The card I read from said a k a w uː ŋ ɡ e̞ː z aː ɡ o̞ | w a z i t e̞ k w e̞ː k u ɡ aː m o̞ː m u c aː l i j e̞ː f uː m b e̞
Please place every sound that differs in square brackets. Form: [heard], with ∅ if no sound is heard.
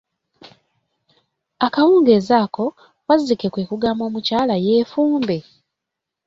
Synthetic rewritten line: a k a w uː ŋ ɡ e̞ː z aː [k] o̞ | w a z i [k] e̞ k w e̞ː k u ɡ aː m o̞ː m u c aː l [a] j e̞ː f uː m b e̞